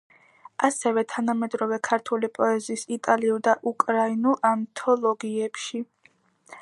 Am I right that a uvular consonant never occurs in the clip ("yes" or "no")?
yes